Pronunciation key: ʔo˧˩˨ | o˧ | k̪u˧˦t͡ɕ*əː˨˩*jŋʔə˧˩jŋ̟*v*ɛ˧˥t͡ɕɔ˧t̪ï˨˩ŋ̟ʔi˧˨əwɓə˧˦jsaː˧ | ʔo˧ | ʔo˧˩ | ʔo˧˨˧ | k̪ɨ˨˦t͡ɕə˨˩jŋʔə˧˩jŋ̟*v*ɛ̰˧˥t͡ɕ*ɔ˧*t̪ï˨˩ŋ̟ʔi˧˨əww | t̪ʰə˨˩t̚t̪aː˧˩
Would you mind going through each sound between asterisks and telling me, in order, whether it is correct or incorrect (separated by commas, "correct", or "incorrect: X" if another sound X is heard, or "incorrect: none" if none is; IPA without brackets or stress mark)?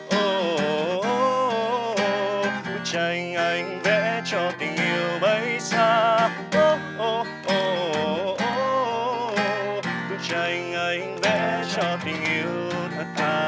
incorrect: ə˨˩, correct, correct, correct